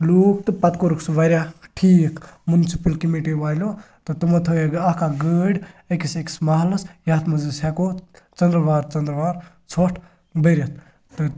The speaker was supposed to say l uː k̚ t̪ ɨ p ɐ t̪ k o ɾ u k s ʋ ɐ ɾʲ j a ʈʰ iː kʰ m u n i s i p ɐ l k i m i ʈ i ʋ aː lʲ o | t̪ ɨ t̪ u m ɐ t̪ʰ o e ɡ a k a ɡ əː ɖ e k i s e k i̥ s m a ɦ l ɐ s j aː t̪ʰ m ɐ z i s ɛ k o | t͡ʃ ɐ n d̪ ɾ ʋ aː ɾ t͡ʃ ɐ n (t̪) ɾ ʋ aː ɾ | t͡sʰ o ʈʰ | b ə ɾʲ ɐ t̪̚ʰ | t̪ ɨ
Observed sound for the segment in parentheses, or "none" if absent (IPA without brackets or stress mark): d̪